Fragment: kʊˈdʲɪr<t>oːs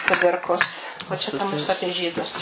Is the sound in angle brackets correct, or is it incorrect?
incorrect